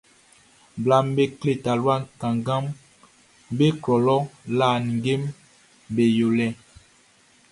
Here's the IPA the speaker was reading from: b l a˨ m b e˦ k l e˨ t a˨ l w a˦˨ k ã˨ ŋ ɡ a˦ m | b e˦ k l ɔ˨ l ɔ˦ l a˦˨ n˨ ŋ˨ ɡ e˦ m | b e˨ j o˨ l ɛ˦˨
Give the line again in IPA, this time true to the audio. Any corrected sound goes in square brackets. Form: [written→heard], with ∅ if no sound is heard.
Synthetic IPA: b l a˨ m b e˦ k l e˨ t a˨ l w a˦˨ k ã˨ ŋ ɡ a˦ m | b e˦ k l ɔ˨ l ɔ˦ l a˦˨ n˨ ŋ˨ ɡ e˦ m | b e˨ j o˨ l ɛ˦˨